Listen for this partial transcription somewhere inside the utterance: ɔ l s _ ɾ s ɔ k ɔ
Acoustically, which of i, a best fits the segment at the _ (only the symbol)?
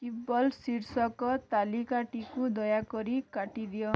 i